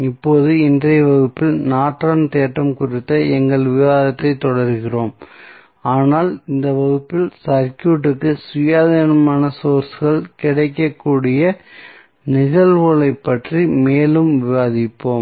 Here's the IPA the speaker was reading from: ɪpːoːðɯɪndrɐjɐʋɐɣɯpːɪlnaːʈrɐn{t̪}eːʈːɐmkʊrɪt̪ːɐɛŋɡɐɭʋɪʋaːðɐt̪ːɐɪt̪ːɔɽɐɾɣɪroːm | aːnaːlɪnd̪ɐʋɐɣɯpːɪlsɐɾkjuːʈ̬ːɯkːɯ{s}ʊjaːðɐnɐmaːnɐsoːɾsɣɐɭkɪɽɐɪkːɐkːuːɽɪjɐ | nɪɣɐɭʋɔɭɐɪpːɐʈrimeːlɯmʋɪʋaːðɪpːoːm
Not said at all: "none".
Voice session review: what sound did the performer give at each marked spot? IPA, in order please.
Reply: t̪, s

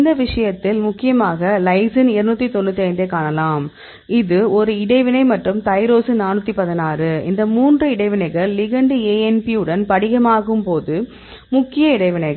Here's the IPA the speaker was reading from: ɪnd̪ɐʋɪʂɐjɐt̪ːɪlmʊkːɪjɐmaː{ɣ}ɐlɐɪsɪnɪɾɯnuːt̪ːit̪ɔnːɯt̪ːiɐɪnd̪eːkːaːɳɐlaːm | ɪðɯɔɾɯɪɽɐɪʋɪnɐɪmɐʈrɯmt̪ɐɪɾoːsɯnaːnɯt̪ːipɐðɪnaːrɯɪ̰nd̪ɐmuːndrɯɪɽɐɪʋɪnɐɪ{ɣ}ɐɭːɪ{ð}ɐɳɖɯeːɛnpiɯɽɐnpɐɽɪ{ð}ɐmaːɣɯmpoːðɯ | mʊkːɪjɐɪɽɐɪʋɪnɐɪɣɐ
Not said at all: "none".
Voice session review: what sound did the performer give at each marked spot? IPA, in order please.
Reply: ɣ, ɣ, ɣ, ɣ

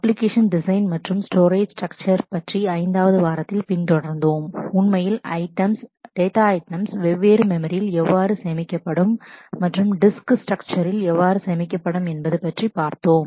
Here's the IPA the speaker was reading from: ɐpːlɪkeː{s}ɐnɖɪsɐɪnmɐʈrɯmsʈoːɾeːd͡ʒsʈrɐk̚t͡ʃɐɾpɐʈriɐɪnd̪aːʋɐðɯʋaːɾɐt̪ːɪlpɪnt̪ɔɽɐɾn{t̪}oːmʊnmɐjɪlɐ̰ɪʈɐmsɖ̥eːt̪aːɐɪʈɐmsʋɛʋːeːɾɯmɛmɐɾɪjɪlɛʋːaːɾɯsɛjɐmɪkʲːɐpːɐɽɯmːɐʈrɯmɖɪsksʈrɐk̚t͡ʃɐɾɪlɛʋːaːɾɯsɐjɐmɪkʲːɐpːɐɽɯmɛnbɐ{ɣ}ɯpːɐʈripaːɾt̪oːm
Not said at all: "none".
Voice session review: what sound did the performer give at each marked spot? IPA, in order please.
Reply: ʂ, d̪, ð

